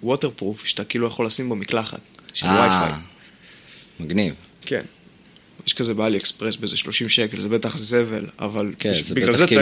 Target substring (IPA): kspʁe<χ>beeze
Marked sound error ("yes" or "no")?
yes